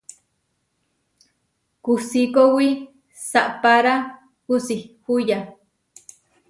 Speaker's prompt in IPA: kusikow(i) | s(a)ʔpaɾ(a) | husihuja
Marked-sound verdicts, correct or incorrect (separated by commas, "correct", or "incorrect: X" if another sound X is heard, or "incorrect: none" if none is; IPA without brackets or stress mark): correct, correct, correct